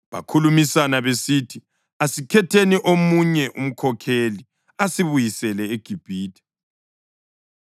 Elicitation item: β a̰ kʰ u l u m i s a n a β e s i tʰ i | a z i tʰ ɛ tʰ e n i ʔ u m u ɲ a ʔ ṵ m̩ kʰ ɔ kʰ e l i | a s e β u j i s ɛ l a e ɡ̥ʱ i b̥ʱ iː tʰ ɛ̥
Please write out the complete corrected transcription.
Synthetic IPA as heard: β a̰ kʰ u l u m i s a n a β e s i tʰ i | a s i kʰ ɛ tʰ e n i ʔ o m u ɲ ɛ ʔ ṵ m̩ kʰ ɔ kʰ e l i | a s i β u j i s ɛ l ɛ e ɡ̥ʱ i b̥ʱ iː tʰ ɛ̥